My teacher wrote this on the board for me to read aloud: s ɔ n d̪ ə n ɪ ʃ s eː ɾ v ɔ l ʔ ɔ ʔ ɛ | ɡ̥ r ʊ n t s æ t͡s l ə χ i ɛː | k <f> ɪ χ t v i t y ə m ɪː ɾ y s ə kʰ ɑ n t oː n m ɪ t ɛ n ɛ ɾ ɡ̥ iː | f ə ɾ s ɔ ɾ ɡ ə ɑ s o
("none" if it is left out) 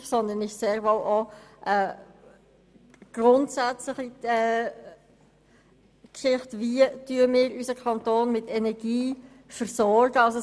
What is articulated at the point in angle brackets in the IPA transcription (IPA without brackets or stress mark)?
ʃ